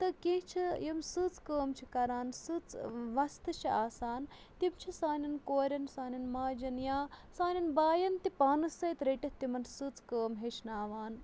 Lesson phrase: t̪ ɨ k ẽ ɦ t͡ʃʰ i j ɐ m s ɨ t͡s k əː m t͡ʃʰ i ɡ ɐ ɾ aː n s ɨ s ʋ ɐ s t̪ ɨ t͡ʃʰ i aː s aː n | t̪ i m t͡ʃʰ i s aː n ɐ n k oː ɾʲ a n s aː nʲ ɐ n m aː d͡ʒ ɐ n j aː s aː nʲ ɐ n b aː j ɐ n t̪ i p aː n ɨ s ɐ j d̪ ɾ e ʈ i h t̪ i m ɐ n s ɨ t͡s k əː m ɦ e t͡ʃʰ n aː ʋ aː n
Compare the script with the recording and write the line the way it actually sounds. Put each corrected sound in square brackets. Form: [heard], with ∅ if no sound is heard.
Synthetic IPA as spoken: t̪ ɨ k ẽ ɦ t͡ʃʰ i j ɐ m s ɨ t͡s k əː m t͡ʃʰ i [k] ɐ ɾ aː n s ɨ [t͡s] ʋ ɐ s t̪ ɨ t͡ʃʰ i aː s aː n | t̪ i m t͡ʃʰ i s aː n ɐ n k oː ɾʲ [ɐ] n s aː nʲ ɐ n m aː d͡ʒ ɐ n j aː s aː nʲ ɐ n b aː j ɐ n t̪ i p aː n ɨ s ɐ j [t̪] ɾ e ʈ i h t̪ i m ɐ n s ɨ t͡s k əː m ɦ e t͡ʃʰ n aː ʋ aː n